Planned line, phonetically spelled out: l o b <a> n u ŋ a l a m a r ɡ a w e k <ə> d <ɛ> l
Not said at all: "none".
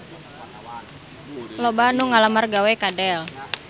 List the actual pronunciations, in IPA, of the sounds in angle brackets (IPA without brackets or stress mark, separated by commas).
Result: a, a, ɛ